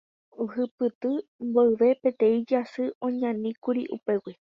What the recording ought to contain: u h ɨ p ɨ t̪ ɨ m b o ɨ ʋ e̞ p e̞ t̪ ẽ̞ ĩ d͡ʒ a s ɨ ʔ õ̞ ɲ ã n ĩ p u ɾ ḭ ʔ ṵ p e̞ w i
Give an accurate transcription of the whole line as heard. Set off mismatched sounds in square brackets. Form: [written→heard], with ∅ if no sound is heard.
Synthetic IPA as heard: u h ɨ p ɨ t̪ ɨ m b o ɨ ʋ e̞ p e̞ t̪ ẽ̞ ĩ d͡ʒ a s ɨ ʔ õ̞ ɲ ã n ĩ [p→k] u ɾ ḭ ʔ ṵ p e̞ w i

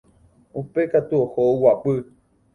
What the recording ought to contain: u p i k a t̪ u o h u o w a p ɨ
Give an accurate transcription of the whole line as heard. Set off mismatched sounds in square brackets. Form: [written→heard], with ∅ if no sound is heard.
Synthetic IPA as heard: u p [i→e] k a t̪ u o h [u→o] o w a p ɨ

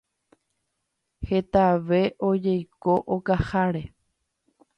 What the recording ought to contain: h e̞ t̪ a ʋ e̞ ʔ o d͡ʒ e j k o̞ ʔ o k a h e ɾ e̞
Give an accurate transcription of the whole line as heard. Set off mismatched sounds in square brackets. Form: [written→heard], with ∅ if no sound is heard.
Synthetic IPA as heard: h e̞ t̪ a ʋ e̞ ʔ o d͡ʒ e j k o̞ ʔ o k a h [e→a] ɾ e̞

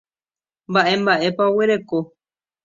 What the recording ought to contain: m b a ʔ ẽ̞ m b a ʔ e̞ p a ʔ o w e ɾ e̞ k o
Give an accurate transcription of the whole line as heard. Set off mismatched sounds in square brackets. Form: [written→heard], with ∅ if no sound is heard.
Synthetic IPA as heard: m b a ʔ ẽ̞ m b a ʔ e̞ p a [ʔ→∅] o w e ɾ e̞ k o

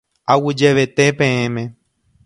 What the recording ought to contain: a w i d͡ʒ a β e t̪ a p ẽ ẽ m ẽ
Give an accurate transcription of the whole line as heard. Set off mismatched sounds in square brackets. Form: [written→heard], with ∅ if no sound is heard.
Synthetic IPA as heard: a w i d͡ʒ [a→e] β e t̪ [a→e] p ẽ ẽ m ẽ

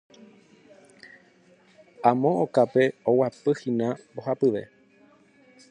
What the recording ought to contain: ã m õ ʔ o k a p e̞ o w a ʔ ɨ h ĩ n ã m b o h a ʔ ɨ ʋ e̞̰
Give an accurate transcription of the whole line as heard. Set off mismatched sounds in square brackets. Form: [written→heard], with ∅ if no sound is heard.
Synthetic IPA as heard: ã m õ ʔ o k a p e̞ o w a [ʔ→p] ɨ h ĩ n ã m b o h a [ʔ→p] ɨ ʋ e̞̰

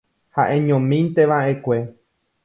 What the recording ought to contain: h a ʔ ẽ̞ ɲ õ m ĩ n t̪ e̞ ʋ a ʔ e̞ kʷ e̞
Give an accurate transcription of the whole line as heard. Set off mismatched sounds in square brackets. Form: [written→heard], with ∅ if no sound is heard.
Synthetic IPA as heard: h a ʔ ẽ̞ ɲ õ m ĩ n t̪ e̞ ʋ a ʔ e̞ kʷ e̞

